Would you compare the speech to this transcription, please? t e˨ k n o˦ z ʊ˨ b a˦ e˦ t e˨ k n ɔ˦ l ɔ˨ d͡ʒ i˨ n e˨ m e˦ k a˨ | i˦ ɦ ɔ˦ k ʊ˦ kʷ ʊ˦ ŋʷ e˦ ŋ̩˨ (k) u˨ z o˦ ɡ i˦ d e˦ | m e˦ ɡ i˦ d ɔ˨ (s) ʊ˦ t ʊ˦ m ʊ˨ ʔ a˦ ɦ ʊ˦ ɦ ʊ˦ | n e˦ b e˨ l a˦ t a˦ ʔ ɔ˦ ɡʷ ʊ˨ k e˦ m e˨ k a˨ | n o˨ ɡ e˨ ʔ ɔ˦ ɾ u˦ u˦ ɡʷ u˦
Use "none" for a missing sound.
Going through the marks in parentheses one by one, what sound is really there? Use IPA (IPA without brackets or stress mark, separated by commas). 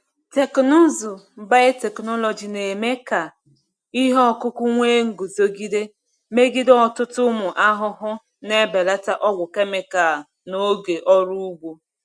ɡ, t